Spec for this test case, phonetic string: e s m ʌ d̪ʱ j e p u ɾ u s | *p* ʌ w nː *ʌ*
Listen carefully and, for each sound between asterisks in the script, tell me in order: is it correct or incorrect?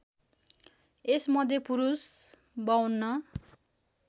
incorrect, correct

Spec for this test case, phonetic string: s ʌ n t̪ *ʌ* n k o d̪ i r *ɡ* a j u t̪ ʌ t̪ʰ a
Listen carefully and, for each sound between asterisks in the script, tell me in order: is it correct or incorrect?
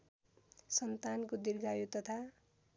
incorrect, correct

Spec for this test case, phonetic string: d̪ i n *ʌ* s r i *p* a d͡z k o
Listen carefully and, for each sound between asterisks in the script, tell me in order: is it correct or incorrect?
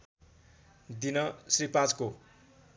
correct, correct

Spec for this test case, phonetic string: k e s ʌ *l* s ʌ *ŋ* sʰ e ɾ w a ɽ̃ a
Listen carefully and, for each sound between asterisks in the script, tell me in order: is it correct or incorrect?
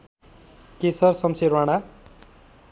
incorrect, incorrect

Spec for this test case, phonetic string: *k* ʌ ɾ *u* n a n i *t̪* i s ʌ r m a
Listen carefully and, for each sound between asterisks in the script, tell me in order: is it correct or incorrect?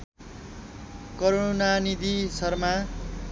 correct, incorrect, incorrect

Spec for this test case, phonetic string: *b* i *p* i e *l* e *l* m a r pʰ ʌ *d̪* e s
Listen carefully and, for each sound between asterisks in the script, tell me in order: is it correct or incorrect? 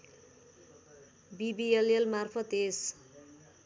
correct, incorrect, correct, correct, incorrect

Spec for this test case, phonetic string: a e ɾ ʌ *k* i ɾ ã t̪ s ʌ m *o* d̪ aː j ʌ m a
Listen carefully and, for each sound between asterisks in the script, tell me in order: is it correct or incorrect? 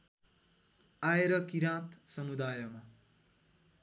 correct, incorrect

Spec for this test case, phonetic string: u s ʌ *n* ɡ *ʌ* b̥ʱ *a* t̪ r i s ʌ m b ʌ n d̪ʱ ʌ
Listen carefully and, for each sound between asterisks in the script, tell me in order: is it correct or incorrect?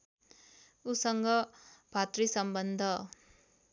incorrect, correct, correct

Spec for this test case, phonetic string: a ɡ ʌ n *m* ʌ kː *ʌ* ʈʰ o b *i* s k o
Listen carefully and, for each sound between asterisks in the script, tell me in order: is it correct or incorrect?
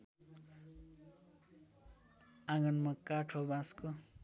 correct, incorrect, incorrect

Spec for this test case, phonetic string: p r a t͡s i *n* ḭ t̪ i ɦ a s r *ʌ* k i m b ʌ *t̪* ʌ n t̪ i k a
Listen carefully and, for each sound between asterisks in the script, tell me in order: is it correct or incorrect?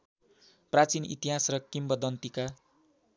correct, correct, incorrect

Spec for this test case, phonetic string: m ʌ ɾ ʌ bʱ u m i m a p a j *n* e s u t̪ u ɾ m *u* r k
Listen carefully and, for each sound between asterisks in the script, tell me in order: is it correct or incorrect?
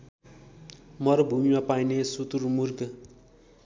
correct, correct

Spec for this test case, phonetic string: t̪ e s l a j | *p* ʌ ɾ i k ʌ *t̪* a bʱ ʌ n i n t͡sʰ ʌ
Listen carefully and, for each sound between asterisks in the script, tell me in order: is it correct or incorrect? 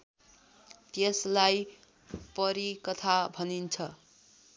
correct, incorrect

